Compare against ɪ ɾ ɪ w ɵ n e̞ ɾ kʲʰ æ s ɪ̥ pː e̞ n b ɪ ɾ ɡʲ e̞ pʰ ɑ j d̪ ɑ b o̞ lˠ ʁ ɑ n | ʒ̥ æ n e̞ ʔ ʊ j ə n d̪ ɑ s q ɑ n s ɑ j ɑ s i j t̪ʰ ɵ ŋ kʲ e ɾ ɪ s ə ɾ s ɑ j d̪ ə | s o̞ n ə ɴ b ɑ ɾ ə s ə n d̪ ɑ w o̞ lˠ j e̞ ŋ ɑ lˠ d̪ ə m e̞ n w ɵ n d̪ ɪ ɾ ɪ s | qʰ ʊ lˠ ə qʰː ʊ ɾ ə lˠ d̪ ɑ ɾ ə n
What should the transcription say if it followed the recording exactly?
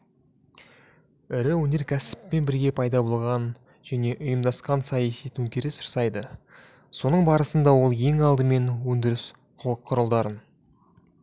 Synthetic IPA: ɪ ɾ ɪ w ɵ n e̞ ɾ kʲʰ æ s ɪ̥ pː e̞ n b ɪ ɾ ɡʲ e̞ pʰ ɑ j d̪ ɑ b o̞ lˠ ʁ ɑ n | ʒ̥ æ n e̞ ʔ ʊ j ə m d̪ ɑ s q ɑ n s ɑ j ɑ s i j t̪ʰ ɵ ŋ kʲ e ɾ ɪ s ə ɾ s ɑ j d̪ ə | s o̞ n ə ɴ b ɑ ɾ ə s ə n d̪ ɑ w o̞ lˠ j e̞ ŋ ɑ lˠ d̪ ə m e̞ n w ɵ n d̪ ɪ ɾ ɪ s | qʰ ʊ lˠ ə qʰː ʊ ɾ ə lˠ d̪ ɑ ɾ ə n